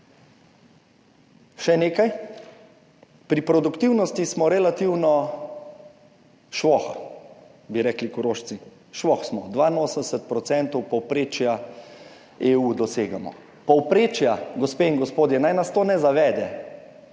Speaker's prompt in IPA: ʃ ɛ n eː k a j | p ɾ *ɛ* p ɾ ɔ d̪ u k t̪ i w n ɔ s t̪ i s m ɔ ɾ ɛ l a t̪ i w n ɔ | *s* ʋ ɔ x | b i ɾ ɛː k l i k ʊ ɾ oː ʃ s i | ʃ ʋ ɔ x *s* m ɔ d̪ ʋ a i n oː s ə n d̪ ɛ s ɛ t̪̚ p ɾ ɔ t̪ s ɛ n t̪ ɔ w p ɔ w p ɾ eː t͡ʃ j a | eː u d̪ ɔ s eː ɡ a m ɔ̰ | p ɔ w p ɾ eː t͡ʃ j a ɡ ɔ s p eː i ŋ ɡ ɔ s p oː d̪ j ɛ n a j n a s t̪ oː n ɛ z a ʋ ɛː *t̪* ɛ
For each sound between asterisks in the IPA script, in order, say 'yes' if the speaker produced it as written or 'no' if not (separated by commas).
no, no, yes, no